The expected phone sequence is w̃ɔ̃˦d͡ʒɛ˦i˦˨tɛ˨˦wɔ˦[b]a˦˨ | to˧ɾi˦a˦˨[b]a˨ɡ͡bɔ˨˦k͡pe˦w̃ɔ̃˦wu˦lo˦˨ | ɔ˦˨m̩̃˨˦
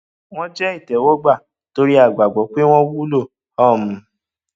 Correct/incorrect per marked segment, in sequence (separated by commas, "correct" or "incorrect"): incorrect, incorrect